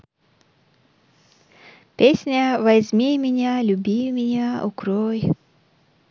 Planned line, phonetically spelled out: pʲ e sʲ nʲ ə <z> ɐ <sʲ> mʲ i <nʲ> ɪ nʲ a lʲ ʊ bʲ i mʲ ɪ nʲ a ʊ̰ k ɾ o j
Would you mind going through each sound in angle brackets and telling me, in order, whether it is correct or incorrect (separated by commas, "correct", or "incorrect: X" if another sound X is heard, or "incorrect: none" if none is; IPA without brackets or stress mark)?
incorrect: v, incorrect: zʲ, incorrect: mʲ